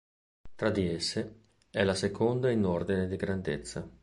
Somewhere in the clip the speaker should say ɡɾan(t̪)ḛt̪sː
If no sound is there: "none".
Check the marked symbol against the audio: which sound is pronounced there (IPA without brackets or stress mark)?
d̪